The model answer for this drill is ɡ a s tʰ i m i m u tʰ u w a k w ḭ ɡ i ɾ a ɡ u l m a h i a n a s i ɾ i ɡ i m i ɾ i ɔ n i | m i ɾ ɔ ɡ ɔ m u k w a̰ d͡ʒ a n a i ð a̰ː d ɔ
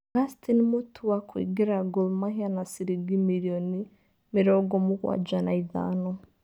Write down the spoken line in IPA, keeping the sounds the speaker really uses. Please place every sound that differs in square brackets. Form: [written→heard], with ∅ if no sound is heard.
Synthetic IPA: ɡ a s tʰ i [m→n] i m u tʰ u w a k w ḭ ɡ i ɾ a ɡ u l m a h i a n a s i ɾ i ɡ i m i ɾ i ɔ n i | m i ɾ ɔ ɡ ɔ m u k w a̰ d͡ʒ a n a i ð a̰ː [d→n] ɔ